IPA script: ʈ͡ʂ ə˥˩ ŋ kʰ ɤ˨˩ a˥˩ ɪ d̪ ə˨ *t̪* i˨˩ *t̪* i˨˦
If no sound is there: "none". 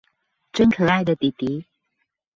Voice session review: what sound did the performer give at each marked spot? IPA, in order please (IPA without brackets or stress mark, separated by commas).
t̪, t̪